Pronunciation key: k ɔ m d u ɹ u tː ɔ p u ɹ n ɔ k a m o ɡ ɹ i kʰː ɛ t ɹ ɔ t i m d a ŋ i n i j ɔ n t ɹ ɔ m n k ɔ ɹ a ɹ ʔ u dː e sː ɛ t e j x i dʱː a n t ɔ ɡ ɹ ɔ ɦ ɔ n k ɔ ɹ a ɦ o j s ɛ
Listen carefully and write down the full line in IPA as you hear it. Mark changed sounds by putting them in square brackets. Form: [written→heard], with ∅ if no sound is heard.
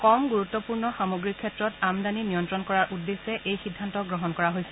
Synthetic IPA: k ɔ m [d→ɡ] u ɹ u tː ɔ p u ɹ n ɔ [k→x] a m o ɡ ɹ i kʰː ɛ t ɹ ɔ t [i→a] m d a [ŋ→n] i n i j ɔ n t ɹ ɔ [m→∅] n k ɔ ɹ a ɹ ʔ u dː e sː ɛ [t→ʔ] e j x i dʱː a n t ɔ ɡ ɹ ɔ ɦ ɔ n k ɔ ɹ a ɦ o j s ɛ